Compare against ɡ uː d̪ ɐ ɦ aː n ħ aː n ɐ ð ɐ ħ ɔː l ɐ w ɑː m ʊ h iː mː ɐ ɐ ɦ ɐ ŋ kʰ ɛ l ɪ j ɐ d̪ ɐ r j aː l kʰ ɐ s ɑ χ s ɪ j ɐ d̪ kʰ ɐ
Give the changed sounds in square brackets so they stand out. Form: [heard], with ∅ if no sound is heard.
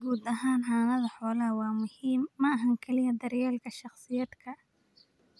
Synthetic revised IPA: ɡ uː d̪ ɐ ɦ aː n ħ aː n ɐ ð ɐ ħ ɔː l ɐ w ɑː m ʊ h iː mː ɐ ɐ ɦ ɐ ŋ kʰ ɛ l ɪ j ɐ d̪ ɐ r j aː l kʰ ɐ [ʃ] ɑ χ s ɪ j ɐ d̪ kʰ ɐ